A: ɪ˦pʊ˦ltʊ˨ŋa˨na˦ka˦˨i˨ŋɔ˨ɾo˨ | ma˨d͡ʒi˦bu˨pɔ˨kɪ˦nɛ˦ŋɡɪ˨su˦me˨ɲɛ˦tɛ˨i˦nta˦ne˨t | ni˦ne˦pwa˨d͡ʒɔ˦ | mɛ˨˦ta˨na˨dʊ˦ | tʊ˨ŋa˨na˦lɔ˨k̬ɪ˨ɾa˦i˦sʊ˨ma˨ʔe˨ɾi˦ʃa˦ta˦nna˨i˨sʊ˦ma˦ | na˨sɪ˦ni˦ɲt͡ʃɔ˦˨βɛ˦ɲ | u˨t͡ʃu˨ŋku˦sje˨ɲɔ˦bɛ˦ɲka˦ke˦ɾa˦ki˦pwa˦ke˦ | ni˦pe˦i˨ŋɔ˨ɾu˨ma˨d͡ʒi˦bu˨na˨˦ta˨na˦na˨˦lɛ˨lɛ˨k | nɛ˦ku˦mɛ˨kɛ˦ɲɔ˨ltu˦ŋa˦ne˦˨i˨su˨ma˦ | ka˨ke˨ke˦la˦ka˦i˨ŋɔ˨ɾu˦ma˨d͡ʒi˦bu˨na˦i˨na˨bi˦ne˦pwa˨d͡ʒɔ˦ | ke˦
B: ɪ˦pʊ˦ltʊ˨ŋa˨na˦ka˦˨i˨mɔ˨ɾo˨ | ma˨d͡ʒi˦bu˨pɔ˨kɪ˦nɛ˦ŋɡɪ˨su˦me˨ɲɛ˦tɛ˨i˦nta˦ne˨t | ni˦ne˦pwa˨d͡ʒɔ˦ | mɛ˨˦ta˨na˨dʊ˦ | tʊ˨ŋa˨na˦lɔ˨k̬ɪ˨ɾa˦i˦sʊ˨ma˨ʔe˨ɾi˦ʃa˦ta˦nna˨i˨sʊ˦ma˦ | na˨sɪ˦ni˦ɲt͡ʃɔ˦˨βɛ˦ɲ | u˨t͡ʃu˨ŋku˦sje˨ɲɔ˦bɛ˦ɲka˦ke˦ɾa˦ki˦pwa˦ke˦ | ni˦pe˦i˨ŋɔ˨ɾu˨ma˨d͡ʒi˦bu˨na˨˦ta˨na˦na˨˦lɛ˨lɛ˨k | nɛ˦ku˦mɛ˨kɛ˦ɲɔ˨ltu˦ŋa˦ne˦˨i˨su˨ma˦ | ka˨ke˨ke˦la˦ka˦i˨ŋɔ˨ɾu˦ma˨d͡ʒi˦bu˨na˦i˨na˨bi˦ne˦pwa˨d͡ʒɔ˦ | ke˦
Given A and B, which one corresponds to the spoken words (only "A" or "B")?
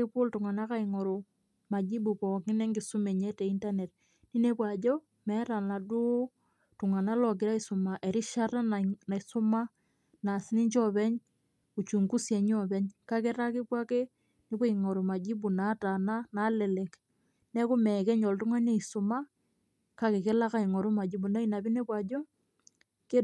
A